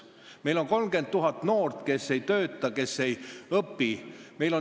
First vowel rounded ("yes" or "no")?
no